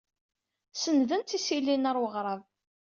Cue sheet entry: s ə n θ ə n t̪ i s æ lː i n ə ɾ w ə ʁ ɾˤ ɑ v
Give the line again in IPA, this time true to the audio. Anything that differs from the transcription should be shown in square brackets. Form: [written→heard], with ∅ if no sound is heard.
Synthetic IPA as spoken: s ə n [θ→ð] ə n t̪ i s [æ→i] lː i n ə ɾ w ə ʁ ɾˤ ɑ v